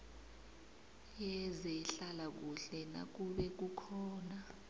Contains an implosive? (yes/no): yes